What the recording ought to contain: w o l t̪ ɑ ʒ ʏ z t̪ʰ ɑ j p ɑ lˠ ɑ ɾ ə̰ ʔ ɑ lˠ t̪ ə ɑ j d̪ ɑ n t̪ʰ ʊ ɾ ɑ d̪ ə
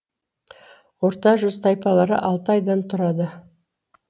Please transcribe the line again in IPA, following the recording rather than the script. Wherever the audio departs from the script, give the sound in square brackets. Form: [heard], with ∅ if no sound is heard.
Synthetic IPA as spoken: w o [ɾ] t̪ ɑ ʒ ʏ z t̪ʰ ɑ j p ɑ lˠ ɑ ɾ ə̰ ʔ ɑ lˠ t̪ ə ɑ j d̪ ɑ n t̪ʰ ʊ ɾ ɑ d̪ ə